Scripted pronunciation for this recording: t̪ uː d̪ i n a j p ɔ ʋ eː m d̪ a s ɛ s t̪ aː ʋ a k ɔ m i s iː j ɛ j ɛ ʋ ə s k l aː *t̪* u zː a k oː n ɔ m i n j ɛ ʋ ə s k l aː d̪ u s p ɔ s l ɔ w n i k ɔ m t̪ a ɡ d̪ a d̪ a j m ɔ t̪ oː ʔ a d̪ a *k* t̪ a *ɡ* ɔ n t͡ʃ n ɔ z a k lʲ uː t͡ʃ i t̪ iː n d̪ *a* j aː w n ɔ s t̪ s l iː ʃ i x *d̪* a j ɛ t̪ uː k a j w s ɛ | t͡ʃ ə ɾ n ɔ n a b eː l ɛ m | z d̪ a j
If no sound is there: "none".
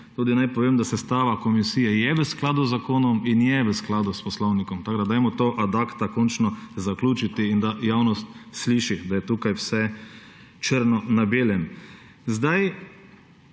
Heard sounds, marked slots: d̪, k, k, a, d̪

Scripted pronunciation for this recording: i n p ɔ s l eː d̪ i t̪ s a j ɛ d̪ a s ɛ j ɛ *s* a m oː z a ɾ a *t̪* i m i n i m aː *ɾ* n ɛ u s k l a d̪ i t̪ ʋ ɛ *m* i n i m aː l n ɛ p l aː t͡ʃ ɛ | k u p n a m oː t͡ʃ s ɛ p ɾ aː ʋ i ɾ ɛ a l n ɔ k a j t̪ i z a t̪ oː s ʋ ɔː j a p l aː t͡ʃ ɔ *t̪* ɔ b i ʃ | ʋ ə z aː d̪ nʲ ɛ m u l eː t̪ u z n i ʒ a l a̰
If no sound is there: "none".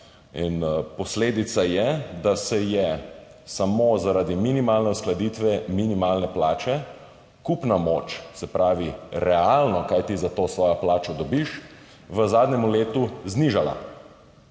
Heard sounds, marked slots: s, d̪, l, m, d̪

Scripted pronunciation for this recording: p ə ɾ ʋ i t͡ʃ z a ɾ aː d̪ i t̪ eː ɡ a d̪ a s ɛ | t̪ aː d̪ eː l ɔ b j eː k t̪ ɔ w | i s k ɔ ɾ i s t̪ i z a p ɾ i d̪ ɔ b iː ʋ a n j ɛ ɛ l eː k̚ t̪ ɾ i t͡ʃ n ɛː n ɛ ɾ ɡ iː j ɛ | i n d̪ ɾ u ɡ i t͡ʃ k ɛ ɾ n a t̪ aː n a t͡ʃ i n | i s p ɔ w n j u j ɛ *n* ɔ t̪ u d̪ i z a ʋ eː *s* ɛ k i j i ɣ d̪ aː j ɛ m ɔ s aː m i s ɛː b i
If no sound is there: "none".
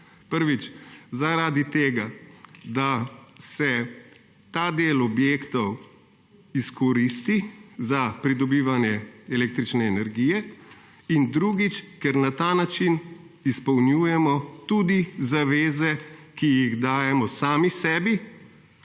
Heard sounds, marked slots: m, z

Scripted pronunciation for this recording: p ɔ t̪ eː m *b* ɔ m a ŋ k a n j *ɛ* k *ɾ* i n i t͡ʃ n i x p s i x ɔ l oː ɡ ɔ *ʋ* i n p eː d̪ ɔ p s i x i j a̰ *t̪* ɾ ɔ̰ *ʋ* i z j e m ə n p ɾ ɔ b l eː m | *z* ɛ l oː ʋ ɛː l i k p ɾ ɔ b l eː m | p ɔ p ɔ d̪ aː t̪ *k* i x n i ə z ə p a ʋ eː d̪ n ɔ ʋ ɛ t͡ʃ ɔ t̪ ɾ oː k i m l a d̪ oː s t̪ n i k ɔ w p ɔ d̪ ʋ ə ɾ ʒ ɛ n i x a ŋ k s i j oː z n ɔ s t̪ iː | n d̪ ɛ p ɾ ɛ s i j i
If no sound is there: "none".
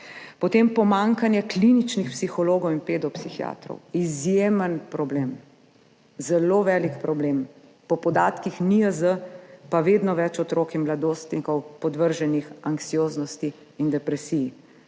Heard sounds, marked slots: p, ɛ, l, w, t̪, w, z, k

